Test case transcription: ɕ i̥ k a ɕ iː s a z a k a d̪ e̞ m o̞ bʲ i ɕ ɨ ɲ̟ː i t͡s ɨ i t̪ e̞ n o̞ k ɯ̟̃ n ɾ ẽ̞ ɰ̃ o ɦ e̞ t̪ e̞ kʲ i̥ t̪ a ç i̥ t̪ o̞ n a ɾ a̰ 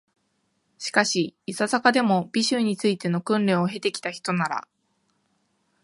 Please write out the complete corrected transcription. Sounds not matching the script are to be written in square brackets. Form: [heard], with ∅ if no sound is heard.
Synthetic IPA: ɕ i̥ k a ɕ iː s a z a k a d̪ e̞ m o̞ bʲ i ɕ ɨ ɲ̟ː i t͡s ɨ i t̪ e̞ n o̞ k ɯ̟̃ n ɾ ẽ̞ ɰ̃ o ɦ e̞ t̪ e̞ kʲ i̥ t̪ a ç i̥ t̪ o̞ n a ɾ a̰